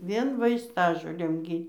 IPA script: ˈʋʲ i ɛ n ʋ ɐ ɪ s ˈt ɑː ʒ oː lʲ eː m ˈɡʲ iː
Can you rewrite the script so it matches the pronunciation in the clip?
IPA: ˈʋʲ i ɛ n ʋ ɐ ɪ s ˈt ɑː ʒ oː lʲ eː m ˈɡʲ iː